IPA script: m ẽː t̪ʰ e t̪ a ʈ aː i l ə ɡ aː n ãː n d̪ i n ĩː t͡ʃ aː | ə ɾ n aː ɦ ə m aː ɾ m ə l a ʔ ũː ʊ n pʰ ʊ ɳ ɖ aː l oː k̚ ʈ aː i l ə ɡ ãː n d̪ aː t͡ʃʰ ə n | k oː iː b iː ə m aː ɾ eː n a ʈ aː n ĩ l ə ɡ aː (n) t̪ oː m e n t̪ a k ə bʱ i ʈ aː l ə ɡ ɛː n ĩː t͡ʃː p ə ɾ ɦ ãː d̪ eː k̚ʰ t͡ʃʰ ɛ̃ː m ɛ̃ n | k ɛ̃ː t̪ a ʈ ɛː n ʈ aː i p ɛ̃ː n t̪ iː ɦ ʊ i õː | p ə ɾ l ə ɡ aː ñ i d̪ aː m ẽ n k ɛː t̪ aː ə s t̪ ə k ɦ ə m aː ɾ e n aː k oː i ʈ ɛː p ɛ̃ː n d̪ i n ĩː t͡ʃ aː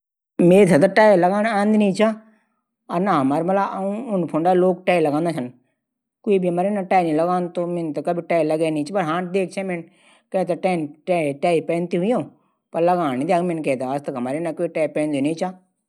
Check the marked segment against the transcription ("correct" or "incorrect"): correct